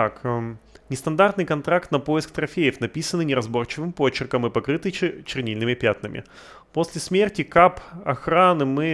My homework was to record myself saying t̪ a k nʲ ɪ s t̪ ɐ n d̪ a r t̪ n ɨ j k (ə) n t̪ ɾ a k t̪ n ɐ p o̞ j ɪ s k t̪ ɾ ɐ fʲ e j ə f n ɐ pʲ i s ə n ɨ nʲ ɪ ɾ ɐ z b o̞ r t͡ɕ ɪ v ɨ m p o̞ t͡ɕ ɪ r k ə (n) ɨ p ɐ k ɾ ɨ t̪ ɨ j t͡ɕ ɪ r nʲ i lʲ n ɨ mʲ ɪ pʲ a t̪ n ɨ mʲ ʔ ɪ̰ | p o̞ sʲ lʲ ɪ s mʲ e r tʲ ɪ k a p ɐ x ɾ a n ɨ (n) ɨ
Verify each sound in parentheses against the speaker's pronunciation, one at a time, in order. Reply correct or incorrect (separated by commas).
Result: incorrect, incorrect, incorrect